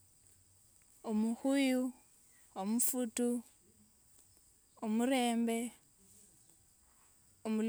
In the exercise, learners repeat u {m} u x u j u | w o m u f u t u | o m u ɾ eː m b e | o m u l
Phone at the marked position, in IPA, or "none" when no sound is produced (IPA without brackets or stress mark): m